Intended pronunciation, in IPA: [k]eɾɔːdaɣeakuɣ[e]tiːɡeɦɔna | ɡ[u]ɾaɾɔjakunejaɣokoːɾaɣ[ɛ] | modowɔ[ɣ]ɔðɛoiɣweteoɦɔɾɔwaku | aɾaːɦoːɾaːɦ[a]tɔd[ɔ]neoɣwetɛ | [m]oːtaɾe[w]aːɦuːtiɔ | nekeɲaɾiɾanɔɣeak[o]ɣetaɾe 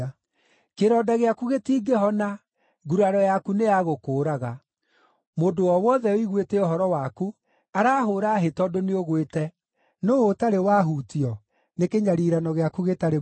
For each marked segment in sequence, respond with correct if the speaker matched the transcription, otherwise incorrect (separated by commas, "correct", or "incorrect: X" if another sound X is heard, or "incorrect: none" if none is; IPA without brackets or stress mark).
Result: correct, correct, correct, incorrect: a, incorrect: w, incorrect: e, incorrect: o, incorrect: n, correct, incorrect: u